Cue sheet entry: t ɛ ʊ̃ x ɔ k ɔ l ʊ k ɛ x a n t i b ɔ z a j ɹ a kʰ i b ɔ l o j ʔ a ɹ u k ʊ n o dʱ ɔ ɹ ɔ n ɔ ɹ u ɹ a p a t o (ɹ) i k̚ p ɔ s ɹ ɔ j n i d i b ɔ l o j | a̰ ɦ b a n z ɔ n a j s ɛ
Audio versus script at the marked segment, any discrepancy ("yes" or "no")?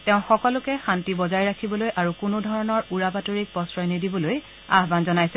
no